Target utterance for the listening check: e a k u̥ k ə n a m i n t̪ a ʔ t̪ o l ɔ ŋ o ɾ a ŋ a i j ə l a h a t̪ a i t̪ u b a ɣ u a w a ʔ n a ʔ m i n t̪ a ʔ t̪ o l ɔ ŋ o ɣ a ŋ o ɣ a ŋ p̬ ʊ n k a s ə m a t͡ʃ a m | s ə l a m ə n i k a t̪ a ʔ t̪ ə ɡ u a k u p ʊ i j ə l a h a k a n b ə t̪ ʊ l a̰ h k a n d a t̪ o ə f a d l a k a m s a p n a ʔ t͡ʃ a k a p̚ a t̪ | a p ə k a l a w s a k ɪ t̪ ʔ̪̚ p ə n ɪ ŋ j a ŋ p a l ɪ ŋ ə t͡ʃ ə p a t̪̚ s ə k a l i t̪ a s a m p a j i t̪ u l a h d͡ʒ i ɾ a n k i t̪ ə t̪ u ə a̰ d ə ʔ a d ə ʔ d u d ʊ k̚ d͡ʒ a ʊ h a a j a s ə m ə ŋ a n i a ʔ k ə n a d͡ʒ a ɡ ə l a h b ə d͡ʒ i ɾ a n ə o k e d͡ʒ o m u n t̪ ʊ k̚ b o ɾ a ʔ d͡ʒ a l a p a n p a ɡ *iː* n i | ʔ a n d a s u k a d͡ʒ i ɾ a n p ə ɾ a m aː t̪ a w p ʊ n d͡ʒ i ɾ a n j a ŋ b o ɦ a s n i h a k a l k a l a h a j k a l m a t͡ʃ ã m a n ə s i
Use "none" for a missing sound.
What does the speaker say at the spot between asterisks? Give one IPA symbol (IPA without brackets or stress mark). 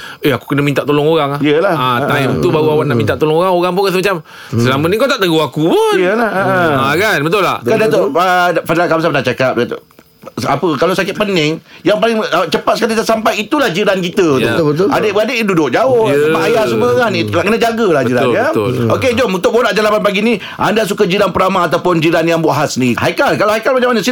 i